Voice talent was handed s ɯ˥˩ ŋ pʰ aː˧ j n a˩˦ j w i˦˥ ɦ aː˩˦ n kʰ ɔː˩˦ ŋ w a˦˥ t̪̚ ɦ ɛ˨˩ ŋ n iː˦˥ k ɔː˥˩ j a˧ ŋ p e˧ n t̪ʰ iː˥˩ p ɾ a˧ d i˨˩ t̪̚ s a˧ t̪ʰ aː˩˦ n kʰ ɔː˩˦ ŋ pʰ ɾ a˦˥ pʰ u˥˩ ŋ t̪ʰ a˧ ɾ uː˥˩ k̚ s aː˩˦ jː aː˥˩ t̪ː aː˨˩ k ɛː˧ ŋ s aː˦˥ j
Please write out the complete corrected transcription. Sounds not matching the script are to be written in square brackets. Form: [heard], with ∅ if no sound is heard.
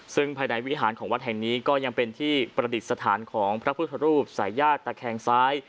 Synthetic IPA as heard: s ɯ˥˩ ŋ pʰ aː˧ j n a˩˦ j w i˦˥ ɦ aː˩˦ n kʰ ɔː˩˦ ŋ w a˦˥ t̪̚ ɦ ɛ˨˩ ŋ n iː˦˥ k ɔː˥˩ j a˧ ŋ p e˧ n t̪ʰ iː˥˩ p ɾ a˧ d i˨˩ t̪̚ s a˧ t̪ʰ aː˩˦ n kʰ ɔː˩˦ ŋ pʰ ɾ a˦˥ pʰ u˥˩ [∅] t̪ʰ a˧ ɾ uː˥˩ [p̚] s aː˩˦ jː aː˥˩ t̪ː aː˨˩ [kʰ] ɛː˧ ŋ s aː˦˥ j